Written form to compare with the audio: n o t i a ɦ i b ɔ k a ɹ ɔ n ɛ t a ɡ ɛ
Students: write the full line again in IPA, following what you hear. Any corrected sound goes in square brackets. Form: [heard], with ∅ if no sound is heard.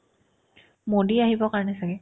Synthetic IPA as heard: [m] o [d] i a ɦ i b ɔ k a ɹ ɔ n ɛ [s] a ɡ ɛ